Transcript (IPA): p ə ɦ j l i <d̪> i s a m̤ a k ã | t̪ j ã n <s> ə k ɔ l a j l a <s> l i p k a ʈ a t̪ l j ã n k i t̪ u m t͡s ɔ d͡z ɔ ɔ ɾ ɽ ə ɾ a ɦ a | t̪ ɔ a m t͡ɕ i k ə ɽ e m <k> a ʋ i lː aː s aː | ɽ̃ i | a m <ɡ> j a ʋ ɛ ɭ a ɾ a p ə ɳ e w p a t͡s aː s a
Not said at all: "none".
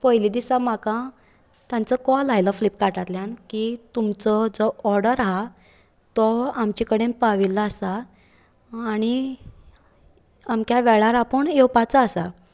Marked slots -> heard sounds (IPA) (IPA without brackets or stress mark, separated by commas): d̪, t͡s, f, p, k